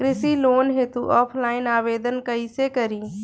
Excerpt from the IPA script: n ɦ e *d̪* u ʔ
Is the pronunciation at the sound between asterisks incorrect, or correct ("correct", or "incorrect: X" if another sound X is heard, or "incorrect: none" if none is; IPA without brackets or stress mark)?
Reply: incorrect: t̪